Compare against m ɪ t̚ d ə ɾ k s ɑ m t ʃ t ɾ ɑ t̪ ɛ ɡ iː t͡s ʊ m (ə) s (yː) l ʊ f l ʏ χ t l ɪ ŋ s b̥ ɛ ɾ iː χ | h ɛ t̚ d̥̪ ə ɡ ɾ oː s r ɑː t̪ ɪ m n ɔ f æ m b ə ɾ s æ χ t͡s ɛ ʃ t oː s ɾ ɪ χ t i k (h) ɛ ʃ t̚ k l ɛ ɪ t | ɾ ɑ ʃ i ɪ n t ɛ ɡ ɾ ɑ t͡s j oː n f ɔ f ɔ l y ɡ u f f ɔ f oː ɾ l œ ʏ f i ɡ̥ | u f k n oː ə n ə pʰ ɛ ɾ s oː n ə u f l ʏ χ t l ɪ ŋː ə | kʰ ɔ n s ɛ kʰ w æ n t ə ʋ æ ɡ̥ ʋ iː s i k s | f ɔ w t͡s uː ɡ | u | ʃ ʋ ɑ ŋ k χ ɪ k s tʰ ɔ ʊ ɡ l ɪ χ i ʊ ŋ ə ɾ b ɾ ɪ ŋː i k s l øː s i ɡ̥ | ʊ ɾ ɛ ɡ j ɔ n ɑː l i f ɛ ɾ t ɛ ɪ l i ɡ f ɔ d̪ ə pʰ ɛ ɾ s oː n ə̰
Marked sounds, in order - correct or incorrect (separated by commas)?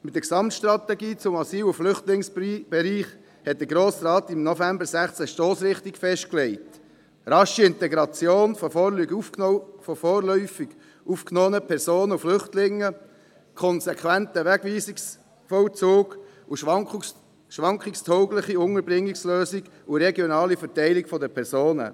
incorrect, incorrect, incorrect